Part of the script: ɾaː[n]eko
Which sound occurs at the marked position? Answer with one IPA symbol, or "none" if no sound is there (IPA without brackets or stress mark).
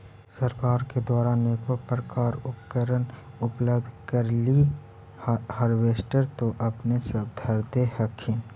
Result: n